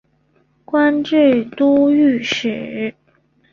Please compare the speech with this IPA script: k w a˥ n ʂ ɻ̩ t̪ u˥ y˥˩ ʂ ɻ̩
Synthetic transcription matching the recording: k w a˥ n ʈ͡ʂ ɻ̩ t̪ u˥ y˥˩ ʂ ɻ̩